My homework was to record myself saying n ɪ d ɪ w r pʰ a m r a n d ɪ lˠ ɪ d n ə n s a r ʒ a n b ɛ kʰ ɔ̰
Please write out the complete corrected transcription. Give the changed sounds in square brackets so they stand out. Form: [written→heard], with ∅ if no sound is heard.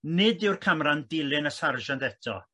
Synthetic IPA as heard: n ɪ d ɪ w r [pʰ→kʰ] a m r a n d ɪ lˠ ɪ [d→∅] n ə [n→∅] s a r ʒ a n [b→d] ɛ [kʰ→tʰ] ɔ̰